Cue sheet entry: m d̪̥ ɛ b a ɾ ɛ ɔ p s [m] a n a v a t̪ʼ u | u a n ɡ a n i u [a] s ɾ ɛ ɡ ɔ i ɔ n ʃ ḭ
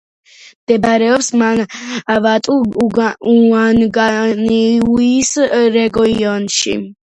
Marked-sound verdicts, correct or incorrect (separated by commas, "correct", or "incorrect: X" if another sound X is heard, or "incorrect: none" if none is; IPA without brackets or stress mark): correct, incorrect: i